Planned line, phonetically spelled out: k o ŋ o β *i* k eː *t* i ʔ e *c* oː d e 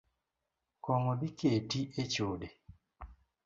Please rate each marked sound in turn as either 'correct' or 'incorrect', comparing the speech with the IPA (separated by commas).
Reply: correct, correct, correct